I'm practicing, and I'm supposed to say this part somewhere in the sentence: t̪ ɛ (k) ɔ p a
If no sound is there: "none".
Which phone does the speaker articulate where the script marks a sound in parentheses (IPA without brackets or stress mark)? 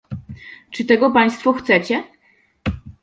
ɡ